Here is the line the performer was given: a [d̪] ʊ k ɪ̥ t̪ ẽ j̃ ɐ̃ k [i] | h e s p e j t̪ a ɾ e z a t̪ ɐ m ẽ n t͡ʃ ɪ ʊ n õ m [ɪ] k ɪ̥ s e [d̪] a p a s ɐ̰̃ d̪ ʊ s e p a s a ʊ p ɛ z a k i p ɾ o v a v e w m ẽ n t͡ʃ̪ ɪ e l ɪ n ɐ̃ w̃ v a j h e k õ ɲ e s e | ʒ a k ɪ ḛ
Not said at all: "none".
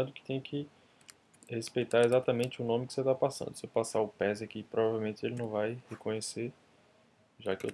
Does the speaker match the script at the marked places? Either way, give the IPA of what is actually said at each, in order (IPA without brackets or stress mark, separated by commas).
d̪, ɪ, ɪ, t̪